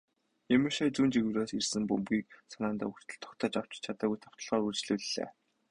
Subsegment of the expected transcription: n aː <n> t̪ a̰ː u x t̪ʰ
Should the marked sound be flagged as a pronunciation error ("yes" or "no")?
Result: no